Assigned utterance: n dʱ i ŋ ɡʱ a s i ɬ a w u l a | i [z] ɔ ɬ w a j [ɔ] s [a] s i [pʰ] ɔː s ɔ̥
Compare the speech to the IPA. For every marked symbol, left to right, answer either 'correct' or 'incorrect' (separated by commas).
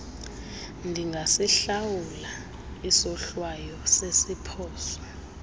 incorrect, correct, incorrect, correct